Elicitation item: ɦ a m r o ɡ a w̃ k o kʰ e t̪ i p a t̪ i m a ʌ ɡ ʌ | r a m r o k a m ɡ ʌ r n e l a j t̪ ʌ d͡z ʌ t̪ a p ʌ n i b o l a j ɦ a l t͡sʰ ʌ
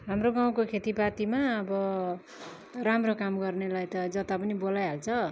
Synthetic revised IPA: ɦ a m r o ɡ a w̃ k o kʰ e t̪ i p a t̪ i m a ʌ b ʌ | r a m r o k a m ɡ ʌ r n e l a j t̪ ʌ d͡z ʌ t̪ a p ʌ n i b o l a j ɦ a l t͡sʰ ʌ